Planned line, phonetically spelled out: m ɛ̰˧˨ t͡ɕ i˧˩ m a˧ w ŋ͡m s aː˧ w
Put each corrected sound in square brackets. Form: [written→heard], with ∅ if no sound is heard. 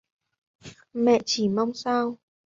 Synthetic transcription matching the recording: m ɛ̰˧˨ t͡ɕ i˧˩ m a˧ w ŋ͡m s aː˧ w